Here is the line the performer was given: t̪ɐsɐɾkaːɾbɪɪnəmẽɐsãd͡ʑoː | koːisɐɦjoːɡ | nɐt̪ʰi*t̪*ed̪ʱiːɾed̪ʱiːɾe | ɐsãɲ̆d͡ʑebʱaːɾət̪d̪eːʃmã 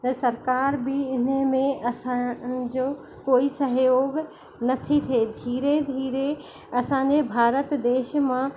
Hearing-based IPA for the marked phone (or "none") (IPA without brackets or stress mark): t̪ʰ